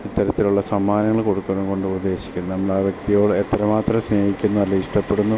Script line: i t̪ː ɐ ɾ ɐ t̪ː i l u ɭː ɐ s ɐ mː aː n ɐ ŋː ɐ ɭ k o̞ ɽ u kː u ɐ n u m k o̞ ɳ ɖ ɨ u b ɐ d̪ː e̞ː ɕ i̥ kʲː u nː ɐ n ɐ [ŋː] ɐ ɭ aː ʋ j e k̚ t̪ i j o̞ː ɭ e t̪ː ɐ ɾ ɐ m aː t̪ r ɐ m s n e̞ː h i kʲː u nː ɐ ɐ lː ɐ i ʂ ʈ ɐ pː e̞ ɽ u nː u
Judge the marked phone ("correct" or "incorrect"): incorrect